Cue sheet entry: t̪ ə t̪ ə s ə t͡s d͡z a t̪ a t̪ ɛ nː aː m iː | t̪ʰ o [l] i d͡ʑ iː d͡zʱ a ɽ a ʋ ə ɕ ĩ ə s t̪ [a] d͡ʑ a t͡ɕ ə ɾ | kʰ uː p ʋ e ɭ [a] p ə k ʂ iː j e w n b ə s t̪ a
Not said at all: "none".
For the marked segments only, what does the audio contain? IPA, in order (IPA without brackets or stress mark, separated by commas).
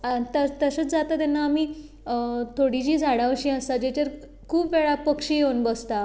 ɽ, a, a